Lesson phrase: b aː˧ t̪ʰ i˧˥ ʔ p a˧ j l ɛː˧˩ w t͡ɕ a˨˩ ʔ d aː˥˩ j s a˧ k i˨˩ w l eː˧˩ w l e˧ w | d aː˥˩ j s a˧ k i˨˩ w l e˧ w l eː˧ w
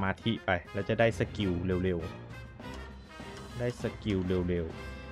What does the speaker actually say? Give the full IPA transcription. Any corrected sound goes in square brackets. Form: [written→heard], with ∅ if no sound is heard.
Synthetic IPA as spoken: [b→m] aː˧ t̪ʰ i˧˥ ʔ p a˧ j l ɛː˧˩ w t͡ɕ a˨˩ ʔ d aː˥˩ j s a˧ k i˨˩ w l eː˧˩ w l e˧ w | d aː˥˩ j s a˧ k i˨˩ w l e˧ w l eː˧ w